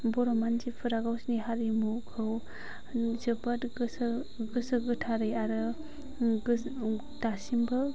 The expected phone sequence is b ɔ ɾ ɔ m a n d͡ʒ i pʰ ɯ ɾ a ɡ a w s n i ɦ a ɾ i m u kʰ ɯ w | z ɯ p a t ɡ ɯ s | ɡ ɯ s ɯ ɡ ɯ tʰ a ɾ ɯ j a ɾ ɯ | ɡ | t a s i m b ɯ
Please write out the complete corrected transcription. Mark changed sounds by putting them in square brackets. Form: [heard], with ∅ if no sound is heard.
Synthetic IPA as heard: b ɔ ɾ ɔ m a n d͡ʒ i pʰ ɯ ɾ a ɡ a w s n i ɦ a ɾ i m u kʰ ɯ w | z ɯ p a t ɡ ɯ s | ɡ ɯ s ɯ ɡ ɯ tʰ a ɾ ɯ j a ɾ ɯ | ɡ | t a s i m b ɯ